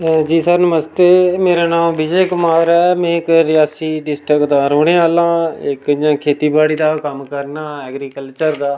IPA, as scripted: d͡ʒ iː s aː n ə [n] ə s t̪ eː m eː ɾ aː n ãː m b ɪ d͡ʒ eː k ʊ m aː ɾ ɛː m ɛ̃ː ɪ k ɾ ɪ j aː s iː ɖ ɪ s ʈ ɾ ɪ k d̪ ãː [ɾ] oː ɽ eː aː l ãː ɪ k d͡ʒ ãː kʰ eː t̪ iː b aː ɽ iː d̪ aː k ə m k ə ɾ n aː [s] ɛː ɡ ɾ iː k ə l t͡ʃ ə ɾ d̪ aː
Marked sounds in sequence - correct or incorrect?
incorrect, correct, incorrect

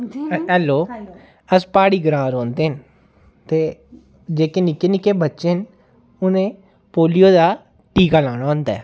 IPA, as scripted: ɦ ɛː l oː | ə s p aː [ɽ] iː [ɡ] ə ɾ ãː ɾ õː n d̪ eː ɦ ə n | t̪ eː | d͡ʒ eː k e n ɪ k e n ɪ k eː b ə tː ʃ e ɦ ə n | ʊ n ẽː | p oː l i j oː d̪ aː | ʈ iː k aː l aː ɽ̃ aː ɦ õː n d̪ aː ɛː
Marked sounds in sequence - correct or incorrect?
correct, correct

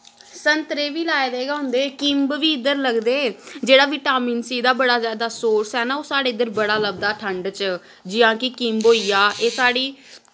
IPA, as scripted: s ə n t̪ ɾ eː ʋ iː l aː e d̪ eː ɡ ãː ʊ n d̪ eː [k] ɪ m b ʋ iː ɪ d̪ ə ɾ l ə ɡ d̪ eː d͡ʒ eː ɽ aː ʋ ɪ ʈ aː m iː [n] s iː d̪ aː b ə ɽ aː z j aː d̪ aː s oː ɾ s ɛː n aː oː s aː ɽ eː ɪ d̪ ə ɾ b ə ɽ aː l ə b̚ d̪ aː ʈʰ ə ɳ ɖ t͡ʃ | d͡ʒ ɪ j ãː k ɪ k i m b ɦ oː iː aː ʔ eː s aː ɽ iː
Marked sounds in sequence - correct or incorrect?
correct, correct

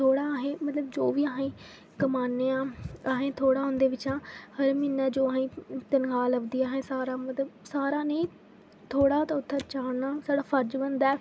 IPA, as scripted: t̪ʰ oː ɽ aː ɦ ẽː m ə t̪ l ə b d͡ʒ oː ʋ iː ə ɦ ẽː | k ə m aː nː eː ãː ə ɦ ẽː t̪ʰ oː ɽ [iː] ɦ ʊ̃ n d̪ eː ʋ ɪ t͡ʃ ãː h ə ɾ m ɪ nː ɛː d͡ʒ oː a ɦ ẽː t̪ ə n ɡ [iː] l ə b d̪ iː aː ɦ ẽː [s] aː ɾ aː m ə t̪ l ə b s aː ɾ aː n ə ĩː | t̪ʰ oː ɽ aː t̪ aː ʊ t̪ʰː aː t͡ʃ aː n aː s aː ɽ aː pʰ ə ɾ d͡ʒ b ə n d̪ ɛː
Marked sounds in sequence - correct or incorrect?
incorrect, incorrect, correct

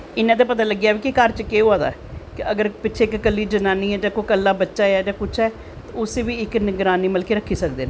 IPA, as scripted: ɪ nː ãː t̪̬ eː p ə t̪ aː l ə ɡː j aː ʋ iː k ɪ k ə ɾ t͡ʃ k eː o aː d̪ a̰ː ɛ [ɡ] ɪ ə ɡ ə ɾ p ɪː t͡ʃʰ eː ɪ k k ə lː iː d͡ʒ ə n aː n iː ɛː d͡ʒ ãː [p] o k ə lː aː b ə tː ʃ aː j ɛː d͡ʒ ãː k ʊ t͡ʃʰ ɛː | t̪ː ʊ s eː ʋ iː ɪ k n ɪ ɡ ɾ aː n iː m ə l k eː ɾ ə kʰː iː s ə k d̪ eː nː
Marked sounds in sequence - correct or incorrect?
incorrect, incorrect

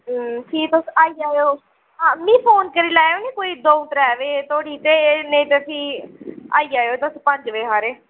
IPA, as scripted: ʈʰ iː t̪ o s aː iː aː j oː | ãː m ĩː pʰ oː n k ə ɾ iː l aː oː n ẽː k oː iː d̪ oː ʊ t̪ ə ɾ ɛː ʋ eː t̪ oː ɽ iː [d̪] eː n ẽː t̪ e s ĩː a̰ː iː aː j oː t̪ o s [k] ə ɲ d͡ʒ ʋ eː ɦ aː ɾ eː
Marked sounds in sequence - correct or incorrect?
incorrect, incorrect

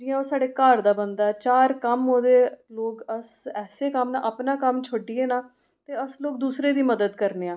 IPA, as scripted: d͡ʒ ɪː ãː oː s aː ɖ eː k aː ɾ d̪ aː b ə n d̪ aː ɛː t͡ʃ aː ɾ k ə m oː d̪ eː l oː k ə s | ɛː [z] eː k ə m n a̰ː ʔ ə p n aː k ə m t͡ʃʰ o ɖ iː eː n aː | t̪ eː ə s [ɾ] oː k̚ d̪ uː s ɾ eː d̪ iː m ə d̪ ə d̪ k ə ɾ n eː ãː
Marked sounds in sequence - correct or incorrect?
incorrect, incorrect

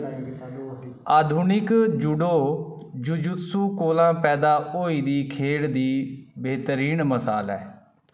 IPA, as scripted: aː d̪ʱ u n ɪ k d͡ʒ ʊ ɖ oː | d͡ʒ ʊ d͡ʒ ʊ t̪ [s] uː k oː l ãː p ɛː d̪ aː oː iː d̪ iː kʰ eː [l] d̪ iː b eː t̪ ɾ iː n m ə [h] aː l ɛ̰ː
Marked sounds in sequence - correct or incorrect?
correct, incorrect, incorrect

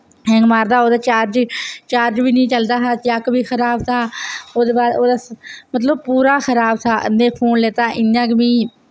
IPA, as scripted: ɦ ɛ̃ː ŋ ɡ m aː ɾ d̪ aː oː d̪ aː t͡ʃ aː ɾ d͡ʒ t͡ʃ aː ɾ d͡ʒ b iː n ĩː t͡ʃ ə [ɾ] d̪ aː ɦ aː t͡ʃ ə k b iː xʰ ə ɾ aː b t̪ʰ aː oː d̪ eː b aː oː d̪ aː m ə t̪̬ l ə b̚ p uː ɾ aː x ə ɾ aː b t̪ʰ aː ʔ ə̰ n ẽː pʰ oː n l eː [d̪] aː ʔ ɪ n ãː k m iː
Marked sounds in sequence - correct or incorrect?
incorrect, incorrect

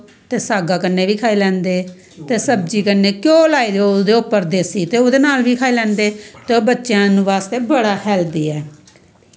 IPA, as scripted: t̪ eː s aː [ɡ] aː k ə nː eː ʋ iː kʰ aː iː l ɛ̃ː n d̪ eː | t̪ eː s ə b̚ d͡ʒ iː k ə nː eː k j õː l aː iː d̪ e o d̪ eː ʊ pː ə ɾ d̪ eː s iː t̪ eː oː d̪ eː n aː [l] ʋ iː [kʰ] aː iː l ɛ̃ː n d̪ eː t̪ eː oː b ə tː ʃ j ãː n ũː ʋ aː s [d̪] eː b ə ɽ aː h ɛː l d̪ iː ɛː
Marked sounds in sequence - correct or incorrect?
correct, correct, correct, incorrect

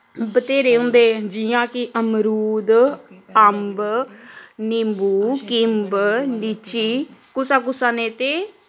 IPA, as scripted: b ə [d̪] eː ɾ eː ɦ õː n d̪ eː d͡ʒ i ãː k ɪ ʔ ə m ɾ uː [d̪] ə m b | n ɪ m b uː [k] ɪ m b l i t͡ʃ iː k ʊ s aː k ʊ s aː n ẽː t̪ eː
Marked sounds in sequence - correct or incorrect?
incorrect, correct, correct

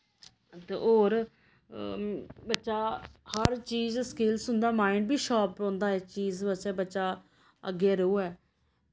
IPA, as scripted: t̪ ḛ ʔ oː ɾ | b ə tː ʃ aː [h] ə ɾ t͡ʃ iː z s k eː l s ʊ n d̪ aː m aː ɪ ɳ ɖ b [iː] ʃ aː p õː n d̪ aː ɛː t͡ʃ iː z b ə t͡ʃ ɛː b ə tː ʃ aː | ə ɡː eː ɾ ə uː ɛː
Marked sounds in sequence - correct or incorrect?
correct, correct

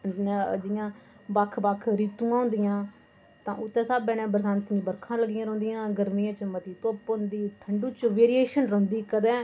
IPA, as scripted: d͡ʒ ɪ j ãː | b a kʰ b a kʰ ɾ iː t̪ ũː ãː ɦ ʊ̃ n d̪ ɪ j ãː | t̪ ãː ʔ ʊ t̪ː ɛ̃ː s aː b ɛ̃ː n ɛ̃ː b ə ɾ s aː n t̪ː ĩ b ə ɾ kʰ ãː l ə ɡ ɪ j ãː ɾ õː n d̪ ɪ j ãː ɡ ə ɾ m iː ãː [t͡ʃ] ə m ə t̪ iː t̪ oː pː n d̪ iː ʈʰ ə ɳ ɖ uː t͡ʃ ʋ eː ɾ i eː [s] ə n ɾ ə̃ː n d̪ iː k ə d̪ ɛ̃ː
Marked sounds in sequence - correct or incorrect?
correct, incorrect

